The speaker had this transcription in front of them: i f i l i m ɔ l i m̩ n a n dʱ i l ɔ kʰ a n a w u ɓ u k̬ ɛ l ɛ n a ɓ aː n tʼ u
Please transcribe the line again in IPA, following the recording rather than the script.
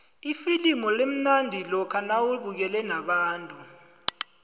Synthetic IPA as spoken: i f i l i m ɔ l e m̩ n a n dʱ i l ɔ kʰ a n a w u ɓ u k̬ ɛ l ɛ n a ɓ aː n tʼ u

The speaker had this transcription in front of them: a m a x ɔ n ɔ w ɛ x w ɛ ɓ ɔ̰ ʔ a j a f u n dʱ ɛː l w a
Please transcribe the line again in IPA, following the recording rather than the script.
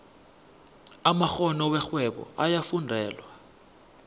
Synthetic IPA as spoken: a m a x ɔ n ɔ w ɛ x w ɛ ɓ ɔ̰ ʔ a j a f u n dʱ ɛː l w a

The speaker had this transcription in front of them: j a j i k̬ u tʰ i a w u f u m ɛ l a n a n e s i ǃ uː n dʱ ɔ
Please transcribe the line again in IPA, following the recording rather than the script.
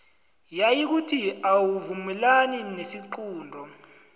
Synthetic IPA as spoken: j a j i k̬ u tʰ i a w u v u m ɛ l a n i n e s i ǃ uː n dʱ ɔ

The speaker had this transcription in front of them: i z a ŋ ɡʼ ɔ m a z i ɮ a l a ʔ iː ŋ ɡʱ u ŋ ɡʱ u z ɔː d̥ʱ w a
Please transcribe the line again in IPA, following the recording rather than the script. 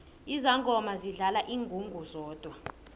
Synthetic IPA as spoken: i z a ŋ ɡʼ ɔ m a z i ɮ a l a ʔ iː ŋ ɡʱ u ŋ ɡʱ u z ɔː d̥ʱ w a

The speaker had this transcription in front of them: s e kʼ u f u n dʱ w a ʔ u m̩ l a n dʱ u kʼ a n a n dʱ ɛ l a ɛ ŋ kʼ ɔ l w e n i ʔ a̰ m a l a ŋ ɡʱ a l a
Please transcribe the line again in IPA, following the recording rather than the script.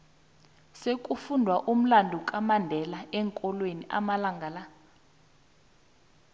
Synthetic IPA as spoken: s e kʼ u f u n dʱ w a ʔ u m̩ l a n dʱ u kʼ a m a n dʱ ɛ l a ɛ ŋ kʼ ɔ l w e n i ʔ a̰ m a l a ŋ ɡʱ a l a

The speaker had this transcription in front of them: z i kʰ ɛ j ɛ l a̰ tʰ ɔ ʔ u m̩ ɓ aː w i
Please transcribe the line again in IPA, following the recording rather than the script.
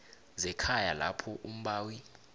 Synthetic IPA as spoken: z ɛ kʰ a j a l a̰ pʰ ɔ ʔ u m̩ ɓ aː w i

